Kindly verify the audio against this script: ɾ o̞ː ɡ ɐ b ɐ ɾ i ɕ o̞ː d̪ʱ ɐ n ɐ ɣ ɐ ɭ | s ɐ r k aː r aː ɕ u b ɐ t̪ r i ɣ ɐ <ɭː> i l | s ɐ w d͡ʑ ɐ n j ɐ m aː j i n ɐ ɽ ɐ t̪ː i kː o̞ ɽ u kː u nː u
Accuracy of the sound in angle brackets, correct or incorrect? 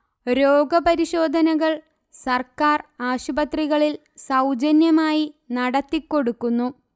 incorrect: ɭ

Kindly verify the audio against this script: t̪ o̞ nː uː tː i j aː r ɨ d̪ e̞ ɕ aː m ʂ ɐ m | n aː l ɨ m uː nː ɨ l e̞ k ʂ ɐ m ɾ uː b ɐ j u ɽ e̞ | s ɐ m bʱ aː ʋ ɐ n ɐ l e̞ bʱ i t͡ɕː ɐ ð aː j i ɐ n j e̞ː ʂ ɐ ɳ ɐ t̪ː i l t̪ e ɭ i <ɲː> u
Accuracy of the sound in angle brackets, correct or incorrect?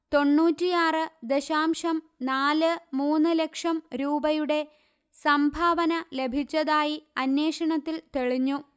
correct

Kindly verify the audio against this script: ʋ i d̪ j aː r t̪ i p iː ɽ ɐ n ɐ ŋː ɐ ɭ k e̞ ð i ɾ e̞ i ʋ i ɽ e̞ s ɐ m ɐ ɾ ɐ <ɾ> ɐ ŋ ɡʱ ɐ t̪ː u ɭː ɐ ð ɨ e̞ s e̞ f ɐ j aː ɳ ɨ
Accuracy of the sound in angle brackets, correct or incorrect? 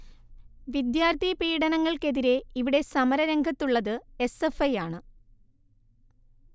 correct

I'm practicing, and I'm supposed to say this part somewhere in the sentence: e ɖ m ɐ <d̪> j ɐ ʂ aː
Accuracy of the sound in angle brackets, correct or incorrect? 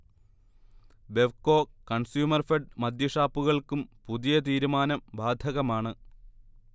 correct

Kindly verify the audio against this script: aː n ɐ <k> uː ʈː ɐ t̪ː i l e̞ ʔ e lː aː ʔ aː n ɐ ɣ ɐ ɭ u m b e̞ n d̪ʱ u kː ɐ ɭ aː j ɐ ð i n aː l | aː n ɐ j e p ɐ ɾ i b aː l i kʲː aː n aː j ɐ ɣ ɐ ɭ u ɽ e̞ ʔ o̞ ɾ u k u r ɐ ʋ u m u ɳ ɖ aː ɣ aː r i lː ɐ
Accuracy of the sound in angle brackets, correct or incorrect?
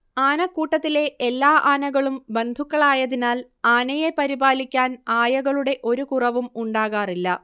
correct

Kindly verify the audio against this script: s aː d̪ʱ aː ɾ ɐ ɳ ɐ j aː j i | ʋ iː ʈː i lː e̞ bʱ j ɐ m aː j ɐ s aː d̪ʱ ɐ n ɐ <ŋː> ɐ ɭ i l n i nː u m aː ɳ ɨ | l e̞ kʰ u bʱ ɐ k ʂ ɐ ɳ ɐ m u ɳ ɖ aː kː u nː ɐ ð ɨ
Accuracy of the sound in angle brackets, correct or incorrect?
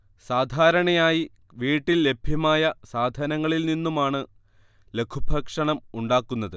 correct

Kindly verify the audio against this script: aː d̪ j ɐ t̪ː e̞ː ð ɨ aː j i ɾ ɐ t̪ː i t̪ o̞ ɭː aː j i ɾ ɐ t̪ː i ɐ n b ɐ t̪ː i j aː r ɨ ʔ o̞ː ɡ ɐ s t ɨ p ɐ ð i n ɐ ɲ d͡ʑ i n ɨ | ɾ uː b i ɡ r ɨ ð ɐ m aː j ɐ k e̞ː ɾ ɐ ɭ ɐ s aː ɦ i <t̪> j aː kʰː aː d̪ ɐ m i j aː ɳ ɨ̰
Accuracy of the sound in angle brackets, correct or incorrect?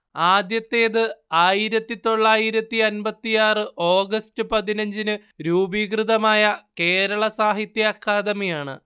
correct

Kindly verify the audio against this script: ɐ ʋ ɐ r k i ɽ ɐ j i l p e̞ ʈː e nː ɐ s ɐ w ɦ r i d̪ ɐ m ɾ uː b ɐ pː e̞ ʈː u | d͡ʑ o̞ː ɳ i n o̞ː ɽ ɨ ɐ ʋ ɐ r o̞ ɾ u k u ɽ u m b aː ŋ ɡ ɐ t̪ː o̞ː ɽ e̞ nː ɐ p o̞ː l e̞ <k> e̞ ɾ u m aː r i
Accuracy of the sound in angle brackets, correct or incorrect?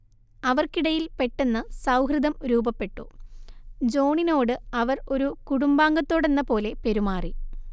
incorrect: p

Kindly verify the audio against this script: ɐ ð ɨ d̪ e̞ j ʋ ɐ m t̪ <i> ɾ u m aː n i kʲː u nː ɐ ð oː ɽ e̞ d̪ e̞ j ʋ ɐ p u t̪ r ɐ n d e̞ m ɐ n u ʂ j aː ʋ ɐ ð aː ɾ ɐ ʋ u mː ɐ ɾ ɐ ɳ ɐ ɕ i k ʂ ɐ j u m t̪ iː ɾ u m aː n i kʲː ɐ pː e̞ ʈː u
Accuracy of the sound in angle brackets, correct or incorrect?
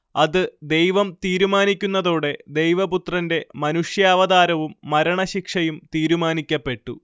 incorrect: iː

